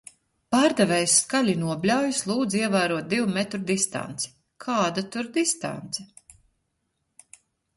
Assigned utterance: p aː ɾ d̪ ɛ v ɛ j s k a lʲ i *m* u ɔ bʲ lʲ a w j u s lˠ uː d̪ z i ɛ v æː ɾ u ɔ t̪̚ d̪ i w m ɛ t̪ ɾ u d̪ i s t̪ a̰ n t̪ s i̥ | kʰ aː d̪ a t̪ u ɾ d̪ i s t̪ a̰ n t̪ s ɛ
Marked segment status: incorrect: n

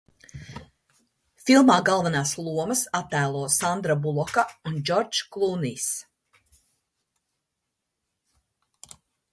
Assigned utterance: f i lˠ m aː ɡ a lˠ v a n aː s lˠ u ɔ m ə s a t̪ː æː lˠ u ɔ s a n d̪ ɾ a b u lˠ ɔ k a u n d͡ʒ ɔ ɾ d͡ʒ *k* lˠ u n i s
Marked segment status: correct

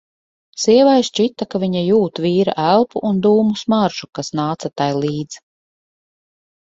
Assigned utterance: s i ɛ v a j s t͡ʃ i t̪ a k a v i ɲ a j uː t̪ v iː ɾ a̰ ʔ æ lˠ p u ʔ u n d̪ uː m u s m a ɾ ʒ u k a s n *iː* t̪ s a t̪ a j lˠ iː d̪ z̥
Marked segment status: incorrect: aː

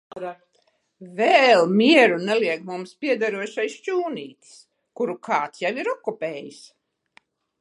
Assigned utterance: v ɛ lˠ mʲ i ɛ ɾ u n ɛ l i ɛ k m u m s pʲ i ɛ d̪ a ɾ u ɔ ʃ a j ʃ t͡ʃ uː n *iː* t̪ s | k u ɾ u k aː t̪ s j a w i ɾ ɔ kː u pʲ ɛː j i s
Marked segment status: correct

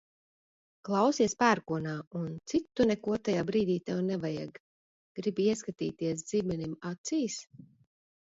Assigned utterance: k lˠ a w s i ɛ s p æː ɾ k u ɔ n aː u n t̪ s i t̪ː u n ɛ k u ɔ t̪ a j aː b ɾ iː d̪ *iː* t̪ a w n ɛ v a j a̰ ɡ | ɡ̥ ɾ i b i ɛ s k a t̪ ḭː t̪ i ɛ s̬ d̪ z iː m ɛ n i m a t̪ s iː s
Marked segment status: correct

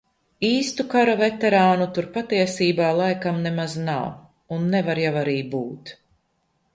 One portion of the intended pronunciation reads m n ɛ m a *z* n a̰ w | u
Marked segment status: correct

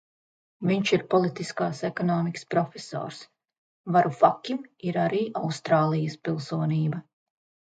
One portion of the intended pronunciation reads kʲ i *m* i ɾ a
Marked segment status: correct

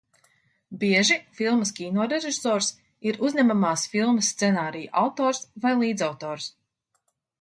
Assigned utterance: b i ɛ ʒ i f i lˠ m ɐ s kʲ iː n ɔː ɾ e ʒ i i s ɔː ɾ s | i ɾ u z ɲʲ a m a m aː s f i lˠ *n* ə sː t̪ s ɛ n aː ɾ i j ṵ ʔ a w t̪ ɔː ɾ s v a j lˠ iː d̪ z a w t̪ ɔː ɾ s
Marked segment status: incorrect: m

